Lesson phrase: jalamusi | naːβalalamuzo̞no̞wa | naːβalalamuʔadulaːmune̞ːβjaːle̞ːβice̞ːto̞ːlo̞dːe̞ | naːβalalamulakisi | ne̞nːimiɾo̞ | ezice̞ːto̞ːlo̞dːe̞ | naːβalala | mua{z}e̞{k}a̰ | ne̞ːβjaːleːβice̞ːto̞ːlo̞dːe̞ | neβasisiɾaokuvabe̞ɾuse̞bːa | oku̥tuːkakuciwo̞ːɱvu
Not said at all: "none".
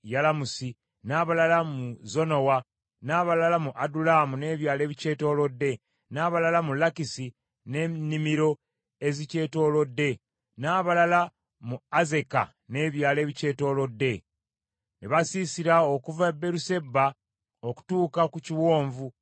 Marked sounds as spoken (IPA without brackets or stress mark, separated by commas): z, k